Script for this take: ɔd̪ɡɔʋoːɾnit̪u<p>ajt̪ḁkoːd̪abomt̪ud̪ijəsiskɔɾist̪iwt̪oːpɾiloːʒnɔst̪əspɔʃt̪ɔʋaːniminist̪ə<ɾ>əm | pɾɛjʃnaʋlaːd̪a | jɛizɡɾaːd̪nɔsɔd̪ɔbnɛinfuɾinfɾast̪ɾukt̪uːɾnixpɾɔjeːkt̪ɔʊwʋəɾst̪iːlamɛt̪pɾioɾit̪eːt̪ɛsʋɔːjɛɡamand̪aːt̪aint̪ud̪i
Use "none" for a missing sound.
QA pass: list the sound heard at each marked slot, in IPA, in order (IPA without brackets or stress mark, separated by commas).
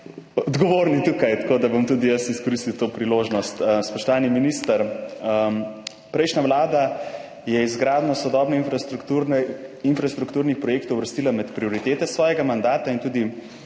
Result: k, ɾ